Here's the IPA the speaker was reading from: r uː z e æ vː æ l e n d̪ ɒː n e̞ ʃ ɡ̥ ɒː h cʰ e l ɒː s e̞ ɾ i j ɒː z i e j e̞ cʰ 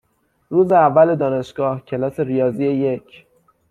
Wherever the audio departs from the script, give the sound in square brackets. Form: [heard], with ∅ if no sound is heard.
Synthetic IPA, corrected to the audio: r uː z e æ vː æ l e [∅] d̪ ɒː n e̞ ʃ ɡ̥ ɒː h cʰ e l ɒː s e̞ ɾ i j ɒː z i e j e̞ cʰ

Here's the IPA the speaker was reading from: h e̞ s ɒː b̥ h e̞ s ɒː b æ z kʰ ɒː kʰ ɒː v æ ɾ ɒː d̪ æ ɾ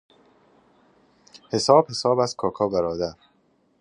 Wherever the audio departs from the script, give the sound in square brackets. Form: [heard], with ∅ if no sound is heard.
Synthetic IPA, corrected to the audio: h e̞ s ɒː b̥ h e̞ s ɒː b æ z kʰ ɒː kʰ ɒː [b] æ ɾ ɒː d̪ æ ɾ

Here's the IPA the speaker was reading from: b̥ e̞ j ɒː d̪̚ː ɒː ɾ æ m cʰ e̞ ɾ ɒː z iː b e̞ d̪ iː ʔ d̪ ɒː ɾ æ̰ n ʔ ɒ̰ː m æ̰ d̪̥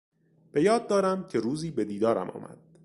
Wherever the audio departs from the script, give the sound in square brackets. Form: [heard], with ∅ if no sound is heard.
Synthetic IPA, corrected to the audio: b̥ e̞ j ɒː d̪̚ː ɒː ɾ æ m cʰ e̞ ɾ [uː] z iː b e̞ d̪ iː [∅] d̪ ɒː ɾ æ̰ [m] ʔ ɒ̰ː m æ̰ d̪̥

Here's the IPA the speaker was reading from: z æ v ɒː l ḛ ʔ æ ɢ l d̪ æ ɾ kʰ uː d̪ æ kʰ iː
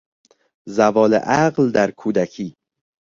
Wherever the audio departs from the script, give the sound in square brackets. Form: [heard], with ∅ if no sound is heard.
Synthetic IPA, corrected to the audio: z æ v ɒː l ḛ ʔ æ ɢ l d̪ æ ɾ kʰ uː d̪ æ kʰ iː

